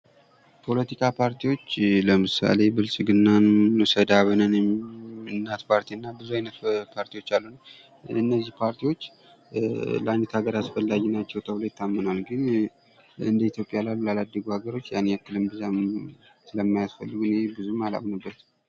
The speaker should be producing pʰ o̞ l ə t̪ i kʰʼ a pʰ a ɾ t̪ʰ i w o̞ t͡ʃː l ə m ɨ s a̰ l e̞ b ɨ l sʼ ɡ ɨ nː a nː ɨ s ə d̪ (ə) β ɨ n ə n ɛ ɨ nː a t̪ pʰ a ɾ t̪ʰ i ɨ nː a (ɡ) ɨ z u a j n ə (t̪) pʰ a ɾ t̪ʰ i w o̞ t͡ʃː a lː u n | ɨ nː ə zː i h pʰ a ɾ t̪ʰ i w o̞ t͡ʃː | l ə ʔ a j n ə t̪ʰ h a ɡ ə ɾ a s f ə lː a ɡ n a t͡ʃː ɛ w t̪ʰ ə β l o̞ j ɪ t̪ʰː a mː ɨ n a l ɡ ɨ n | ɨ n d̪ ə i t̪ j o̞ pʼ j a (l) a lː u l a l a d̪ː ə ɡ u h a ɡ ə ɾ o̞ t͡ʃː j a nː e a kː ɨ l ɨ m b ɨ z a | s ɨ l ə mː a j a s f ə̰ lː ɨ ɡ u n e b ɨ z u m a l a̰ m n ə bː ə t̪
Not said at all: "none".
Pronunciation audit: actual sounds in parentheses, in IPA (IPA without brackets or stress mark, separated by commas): a, b, t̪, l